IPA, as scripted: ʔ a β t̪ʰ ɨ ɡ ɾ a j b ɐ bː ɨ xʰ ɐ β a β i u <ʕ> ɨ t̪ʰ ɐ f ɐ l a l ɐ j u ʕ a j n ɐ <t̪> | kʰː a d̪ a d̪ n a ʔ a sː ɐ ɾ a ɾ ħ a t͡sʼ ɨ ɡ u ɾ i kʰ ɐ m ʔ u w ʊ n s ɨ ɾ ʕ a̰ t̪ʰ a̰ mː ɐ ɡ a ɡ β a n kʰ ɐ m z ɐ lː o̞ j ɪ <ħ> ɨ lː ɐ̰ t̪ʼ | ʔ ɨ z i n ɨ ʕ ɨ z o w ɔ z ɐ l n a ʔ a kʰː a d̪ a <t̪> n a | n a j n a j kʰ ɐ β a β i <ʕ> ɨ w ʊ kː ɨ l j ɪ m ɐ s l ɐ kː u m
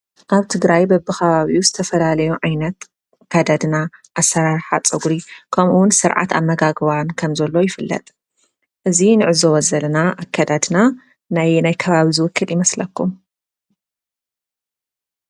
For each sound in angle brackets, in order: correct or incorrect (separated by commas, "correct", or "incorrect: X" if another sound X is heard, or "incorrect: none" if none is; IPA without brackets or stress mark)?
incorrect: z, correct, incorrect: f, incorrect: d̪, incorrect: z